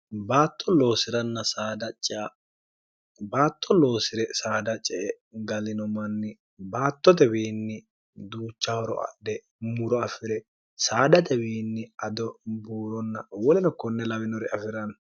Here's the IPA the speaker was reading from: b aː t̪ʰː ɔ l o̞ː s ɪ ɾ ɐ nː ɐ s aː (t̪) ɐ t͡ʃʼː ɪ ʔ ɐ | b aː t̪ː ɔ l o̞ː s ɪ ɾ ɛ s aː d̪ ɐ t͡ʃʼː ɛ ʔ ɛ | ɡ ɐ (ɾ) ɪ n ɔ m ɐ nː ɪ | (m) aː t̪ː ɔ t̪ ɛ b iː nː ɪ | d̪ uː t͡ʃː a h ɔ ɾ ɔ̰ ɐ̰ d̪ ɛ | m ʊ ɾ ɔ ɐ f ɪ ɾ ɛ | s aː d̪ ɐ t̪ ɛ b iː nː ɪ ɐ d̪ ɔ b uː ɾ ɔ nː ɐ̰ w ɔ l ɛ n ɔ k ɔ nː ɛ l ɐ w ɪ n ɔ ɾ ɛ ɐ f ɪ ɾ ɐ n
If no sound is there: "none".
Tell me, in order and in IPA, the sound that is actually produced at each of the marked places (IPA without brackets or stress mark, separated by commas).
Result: d̪, l, b